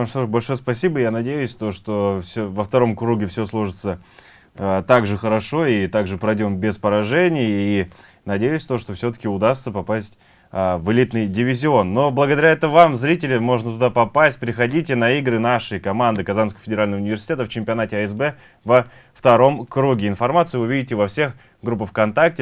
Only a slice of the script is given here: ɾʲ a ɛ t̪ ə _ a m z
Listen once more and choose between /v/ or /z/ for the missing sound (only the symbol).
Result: v